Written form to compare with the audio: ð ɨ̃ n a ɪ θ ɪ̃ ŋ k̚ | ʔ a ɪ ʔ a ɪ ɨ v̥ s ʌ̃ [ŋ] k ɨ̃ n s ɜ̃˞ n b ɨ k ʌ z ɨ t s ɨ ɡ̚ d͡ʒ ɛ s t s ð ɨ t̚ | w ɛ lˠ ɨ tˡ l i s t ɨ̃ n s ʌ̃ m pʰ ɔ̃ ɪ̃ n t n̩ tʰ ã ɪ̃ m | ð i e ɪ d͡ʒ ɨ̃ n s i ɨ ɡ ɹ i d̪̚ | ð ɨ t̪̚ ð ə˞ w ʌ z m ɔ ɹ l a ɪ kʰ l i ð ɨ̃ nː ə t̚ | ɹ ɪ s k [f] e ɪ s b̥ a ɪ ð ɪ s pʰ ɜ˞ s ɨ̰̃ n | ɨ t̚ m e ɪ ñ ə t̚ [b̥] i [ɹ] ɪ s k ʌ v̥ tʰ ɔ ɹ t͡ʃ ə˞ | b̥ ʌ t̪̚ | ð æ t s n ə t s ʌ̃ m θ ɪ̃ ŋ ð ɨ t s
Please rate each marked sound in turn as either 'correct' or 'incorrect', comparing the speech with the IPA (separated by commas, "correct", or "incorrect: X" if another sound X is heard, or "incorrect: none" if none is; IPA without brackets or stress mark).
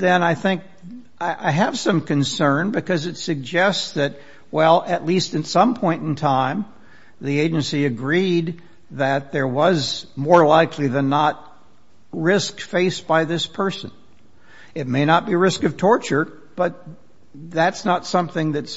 incorrect: m, correct, correct, correct